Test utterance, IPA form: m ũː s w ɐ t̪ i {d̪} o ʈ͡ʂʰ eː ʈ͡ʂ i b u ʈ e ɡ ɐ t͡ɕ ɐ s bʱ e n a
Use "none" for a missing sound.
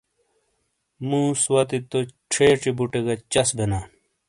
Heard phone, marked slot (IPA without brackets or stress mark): t̪